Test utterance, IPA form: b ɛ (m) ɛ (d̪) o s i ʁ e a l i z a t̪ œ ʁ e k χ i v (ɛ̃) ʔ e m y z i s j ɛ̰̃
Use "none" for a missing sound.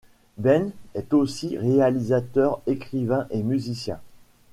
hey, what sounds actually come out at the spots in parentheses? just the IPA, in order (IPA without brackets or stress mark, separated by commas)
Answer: n, t̪, ɛ̃